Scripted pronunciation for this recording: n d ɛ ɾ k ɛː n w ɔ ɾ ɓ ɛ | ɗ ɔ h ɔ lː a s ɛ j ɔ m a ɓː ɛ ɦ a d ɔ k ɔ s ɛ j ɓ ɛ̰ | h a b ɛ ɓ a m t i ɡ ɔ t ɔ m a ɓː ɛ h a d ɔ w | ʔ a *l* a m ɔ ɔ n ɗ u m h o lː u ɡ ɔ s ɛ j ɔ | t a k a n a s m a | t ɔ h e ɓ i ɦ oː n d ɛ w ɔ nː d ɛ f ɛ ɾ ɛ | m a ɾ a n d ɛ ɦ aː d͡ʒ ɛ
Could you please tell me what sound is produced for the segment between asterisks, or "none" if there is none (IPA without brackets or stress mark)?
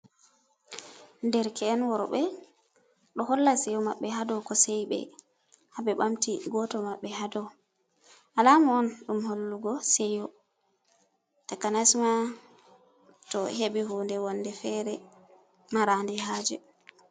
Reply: l